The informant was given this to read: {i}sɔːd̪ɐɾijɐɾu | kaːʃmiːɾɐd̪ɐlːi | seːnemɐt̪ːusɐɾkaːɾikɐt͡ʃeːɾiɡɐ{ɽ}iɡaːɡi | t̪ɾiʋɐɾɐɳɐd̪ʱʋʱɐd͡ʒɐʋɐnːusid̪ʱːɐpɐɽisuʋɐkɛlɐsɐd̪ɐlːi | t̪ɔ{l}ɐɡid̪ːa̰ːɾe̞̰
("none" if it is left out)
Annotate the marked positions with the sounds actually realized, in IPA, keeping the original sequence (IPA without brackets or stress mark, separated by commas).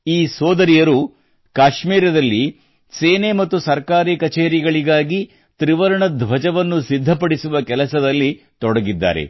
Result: iː, ɭ, ɽ